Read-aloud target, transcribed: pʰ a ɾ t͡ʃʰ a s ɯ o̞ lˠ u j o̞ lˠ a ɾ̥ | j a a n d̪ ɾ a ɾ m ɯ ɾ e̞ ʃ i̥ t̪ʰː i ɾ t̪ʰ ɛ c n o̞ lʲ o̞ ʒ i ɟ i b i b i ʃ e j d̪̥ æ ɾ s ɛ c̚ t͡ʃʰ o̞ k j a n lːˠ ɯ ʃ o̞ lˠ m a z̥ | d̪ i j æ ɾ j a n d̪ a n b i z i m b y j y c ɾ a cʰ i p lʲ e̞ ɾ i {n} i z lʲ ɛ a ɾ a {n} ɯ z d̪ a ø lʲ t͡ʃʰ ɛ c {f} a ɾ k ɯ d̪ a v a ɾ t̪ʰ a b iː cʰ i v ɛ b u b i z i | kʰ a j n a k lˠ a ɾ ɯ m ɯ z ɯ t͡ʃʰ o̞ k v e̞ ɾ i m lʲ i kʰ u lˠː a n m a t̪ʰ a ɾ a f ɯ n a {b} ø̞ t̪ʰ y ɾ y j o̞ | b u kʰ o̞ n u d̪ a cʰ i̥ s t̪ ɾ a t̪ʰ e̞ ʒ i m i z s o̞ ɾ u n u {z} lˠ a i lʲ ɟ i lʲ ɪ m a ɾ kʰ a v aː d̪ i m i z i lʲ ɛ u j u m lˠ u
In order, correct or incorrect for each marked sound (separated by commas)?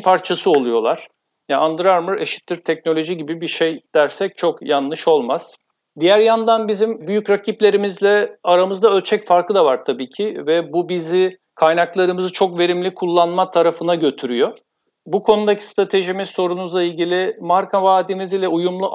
incorrect, incorrect, correct, incorrect, correct